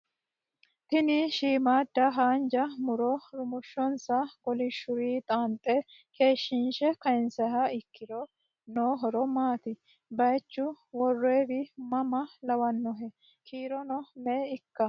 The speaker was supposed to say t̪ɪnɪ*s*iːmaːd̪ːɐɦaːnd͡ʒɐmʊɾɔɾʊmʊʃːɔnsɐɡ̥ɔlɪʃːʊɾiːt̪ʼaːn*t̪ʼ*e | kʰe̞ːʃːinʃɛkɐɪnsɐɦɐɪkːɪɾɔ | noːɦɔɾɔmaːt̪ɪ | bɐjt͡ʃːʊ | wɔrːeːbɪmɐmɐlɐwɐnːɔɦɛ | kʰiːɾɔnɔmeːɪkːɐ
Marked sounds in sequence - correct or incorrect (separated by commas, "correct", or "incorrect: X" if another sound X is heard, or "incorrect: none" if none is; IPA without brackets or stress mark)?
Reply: incorrect: ʃ, correct